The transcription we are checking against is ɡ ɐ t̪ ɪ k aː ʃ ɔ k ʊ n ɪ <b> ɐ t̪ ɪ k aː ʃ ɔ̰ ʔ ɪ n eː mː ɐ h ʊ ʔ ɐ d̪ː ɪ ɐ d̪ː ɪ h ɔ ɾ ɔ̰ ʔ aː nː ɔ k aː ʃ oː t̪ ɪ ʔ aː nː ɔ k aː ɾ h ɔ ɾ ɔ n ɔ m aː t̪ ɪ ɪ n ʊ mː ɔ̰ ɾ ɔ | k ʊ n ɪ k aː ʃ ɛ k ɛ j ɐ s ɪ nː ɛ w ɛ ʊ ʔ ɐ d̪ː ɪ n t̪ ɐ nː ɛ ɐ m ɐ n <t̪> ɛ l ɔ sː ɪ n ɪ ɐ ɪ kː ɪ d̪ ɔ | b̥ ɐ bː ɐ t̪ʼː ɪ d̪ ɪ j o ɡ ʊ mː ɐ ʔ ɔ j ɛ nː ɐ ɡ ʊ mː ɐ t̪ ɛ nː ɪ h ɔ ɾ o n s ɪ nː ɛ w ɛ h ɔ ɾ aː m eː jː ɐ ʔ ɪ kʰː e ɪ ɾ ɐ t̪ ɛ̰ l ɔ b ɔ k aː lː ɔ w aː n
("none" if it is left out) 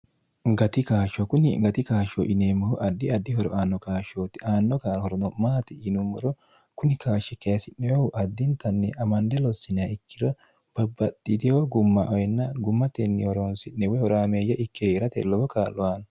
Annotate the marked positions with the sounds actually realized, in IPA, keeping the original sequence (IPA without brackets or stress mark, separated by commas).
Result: ɡ, d̪